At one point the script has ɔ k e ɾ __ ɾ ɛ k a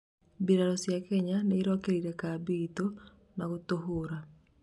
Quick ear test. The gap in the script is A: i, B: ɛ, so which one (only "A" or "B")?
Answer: A